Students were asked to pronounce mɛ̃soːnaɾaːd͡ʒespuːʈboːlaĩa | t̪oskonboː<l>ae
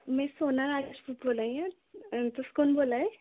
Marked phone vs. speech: correct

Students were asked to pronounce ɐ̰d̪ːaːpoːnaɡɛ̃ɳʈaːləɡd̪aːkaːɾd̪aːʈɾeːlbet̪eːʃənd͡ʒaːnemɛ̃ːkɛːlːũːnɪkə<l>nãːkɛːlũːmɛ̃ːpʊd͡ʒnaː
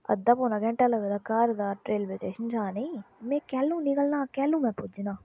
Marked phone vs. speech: correct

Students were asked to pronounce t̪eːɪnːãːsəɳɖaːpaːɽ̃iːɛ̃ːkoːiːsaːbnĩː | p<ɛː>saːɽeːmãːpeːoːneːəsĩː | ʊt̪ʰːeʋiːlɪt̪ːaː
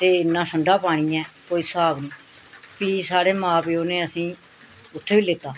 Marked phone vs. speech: incorrect: iː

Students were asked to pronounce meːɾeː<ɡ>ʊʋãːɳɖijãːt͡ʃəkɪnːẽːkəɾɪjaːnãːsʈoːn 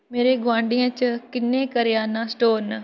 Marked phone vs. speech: correct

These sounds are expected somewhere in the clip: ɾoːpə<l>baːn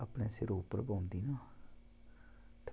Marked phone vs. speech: incorrect: ɾ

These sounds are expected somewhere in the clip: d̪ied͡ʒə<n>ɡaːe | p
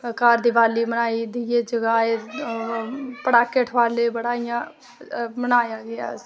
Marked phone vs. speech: incorrect: none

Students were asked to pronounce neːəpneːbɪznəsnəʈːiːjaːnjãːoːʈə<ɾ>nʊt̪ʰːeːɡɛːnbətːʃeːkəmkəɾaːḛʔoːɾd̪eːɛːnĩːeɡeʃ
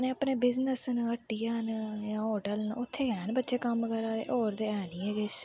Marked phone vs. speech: incorrect: l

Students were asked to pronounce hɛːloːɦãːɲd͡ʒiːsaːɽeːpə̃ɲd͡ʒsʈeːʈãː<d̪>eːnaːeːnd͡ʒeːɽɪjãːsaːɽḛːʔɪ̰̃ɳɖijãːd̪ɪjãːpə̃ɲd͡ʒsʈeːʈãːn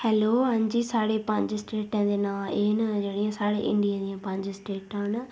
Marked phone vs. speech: correct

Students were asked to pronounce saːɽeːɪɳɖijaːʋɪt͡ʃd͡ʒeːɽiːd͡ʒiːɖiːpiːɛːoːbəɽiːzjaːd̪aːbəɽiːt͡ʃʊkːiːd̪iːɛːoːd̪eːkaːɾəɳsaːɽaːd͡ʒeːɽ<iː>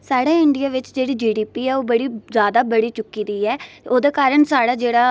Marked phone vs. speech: incorrect: aː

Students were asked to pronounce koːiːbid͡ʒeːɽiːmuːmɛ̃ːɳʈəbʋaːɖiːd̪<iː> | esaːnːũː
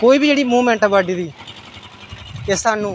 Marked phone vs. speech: correct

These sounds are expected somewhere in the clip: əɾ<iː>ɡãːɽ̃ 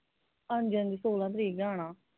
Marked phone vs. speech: correct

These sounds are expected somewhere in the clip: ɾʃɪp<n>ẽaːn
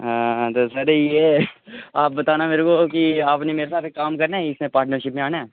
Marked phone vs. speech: incorrect: m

